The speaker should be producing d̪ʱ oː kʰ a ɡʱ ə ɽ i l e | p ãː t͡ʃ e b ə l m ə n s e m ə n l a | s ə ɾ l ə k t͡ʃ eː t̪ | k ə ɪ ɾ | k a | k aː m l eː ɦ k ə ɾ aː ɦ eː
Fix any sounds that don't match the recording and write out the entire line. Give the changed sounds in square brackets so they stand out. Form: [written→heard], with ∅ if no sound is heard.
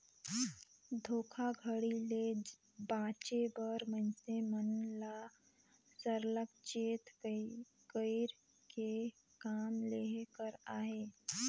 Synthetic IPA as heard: d̪ʱ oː kʰ a ɡʱ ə ɽ i l e | [p→b] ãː t͡ʃ e b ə [l→ɾ] m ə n s e m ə n l a | s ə ɾ l ə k t͡ʃ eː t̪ | k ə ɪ ɾ | k [a→e] | k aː m l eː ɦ k ə ɾ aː ɦ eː